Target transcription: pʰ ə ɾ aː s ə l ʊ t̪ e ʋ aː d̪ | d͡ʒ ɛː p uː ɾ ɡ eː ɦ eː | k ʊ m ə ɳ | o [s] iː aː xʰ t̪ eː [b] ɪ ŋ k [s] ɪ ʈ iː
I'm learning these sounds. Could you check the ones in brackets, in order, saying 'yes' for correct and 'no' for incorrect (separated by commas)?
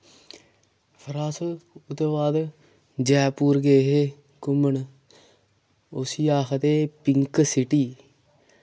yes, no, yes